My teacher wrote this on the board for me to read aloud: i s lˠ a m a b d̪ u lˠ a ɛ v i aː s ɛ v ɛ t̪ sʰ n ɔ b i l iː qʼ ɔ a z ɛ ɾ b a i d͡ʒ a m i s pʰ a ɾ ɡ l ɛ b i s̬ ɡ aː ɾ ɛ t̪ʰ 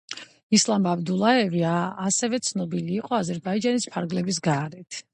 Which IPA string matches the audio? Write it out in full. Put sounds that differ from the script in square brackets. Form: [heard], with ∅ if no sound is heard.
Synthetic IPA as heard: i s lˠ a m a b d̪ u lˠ a ɛ v i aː s ɛ v ɛ t̪ sʰ n ɔ b i l iː qʼ ɔ a z ɛ ɾ b a i d͡ʒ a [n] i s pʰ a ɾ ɡ l ɛ b i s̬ ɡ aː ɾ ɛ t̪ʰ